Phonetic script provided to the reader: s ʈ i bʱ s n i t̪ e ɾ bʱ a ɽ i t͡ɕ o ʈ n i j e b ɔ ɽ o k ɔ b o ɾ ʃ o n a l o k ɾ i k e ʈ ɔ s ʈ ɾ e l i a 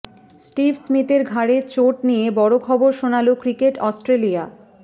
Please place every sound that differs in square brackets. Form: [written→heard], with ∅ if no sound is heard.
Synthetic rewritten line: s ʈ i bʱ s [n→m] i t̪ e ɾ [bʱ→ɡʱ] a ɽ [i→e] t͡ɕ o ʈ n i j e b ɔ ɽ o [k→kʰ] ɔ b o ɾ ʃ o n a l o k ɾ i k e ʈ ɔ s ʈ ɾ e l i a